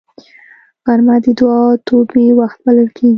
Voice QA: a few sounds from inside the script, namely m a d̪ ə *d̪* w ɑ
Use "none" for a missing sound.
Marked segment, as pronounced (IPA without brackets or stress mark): d̪